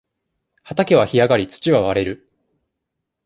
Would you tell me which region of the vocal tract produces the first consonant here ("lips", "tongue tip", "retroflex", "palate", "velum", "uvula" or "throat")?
throat